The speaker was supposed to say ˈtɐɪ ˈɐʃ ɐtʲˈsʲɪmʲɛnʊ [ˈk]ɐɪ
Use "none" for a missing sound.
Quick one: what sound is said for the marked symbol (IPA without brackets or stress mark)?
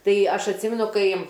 k